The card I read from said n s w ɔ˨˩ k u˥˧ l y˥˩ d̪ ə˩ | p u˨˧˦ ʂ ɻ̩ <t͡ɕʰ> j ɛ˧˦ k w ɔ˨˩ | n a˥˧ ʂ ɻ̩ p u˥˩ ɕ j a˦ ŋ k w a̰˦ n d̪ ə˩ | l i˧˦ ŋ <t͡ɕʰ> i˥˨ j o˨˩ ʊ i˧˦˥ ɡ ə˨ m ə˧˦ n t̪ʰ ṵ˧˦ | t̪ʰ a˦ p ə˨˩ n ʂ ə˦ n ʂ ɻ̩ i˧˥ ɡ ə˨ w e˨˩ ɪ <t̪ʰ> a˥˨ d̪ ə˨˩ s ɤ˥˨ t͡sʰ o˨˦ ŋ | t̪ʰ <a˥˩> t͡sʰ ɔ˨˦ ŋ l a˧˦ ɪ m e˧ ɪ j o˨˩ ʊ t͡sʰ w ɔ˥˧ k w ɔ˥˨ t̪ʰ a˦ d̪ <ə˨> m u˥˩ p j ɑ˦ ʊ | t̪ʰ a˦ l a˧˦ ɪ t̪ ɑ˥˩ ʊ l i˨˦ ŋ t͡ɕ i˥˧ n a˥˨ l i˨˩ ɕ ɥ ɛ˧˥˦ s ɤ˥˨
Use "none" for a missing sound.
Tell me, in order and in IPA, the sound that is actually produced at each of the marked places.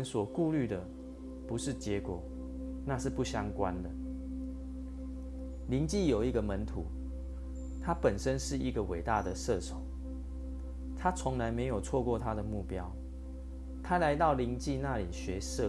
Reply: t͡ɕ, t͡ɕ, t̪, a˦, ə˨

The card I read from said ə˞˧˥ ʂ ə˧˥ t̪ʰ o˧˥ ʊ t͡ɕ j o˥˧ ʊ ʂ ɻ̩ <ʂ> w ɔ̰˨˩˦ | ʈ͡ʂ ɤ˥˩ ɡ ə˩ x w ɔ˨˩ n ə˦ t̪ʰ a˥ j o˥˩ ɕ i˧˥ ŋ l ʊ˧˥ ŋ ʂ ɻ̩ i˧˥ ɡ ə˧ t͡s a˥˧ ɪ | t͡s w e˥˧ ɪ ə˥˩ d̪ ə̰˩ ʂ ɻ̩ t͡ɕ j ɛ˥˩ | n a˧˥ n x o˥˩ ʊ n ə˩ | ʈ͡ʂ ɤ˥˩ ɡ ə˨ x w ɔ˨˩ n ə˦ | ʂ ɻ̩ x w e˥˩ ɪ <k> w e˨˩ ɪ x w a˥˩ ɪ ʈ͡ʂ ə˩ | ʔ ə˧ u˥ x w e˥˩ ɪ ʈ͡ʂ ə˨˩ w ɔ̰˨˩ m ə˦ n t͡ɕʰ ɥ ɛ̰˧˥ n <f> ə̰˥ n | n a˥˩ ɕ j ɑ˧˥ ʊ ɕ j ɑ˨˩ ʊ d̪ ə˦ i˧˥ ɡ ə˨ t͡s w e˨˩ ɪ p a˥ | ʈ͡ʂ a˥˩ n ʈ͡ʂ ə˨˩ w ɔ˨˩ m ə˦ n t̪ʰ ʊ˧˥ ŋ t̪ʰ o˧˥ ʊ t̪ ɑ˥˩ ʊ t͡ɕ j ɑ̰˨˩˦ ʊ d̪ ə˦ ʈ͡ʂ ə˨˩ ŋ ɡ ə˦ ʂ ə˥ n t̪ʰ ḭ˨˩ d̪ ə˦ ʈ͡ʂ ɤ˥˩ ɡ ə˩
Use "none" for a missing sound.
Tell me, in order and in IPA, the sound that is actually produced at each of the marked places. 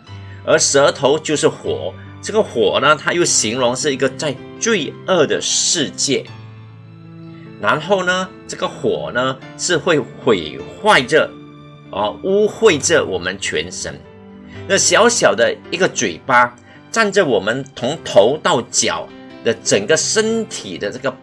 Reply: x, x, ʂ

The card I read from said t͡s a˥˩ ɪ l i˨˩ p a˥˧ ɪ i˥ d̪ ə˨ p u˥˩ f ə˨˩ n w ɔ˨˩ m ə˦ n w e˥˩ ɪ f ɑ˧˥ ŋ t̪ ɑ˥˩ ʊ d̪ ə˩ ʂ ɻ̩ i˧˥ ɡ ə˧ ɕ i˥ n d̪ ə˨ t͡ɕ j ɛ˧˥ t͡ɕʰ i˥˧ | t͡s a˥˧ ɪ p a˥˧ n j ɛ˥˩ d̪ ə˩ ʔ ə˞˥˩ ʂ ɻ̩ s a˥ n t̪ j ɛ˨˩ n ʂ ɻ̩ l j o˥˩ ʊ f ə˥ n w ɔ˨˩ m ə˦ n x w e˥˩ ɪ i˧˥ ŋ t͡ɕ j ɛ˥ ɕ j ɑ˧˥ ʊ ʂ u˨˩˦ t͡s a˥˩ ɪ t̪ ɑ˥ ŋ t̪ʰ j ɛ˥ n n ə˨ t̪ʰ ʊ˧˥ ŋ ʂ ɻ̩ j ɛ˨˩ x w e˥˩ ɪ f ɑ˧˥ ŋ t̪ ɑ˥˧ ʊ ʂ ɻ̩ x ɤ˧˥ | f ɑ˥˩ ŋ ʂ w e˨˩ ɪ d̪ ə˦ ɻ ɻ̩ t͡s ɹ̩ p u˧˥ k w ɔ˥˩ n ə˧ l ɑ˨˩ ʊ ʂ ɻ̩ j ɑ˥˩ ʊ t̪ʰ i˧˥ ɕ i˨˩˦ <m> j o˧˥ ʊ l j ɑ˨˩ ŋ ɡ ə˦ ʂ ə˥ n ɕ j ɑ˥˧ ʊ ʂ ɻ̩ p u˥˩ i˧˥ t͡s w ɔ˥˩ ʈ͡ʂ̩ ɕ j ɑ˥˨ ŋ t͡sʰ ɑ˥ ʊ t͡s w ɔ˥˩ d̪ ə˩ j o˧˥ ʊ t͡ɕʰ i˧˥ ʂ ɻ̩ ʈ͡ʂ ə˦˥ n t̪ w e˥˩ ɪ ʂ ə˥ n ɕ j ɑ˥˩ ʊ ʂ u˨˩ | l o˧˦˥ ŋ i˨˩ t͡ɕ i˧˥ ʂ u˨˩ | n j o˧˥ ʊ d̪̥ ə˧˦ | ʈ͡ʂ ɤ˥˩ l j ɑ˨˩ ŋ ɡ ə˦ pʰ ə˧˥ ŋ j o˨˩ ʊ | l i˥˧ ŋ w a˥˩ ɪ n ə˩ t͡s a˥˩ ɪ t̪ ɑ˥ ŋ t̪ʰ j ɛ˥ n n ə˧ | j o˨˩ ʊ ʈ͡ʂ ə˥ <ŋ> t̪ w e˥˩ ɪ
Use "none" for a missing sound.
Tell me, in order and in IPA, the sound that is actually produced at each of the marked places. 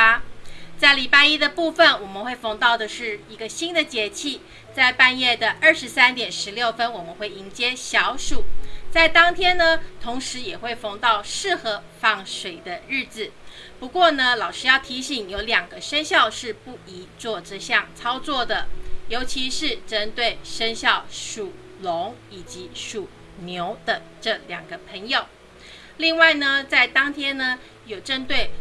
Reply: ŋ, n

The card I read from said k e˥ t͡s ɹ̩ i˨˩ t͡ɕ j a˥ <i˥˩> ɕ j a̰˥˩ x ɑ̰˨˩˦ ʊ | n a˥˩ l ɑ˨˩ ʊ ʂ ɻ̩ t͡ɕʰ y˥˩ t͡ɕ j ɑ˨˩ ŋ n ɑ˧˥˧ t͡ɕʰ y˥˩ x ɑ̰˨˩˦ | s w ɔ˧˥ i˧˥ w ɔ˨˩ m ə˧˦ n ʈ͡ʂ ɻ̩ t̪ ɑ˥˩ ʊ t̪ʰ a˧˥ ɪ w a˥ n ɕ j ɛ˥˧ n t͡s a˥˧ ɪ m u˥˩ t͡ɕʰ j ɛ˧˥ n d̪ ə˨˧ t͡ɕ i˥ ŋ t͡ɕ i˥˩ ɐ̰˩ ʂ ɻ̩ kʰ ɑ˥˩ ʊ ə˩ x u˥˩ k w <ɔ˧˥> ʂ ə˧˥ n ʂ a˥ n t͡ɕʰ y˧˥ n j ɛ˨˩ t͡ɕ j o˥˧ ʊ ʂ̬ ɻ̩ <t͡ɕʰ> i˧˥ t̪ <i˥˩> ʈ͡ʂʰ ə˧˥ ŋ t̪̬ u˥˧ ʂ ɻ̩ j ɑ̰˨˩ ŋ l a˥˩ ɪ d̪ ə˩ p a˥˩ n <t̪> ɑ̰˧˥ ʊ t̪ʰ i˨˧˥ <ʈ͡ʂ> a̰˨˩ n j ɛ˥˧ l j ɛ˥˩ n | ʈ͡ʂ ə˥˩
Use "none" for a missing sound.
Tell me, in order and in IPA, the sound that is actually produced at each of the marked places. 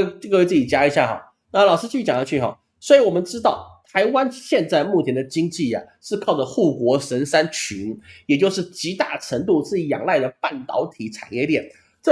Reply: i˧˥, ɔ˧˥, t͡ɕ, a˥˩, t̪, ʈ͡ʂʰ

